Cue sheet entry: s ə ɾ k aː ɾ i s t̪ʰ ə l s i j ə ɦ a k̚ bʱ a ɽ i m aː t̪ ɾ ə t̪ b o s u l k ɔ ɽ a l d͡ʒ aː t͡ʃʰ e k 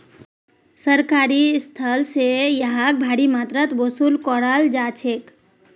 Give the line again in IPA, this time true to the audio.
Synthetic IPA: s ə ɾ k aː ɾ i s t̪ʰ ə l s e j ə ɦ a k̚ bʱ a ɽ i m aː t̪ ɾ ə t̪ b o s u l k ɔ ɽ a l d͡ʒ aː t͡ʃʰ e k